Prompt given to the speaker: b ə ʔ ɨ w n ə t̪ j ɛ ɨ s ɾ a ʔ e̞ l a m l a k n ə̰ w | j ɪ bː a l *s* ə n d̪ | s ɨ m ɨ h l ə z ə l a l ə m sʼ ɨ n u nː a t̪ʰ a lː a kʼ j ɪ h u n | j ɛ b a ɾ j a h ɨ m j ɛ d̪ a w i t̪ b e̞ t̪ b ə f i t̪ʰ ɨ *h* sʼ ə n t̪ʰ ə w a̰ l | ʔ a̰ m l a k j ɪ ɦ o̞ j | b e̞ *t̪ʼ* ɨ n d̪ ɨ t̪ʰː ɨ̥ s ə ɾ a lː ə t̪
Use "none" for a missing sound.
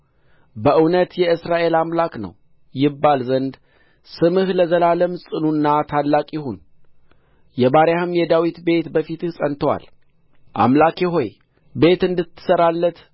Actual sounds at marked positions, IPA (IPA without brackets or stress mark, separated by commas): z, h, t̪